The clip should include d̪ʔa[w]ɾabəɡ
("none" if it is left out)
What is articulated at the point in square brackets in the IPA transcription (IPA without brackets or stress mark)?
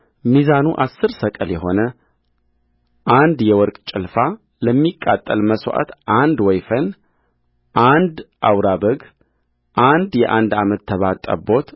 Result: w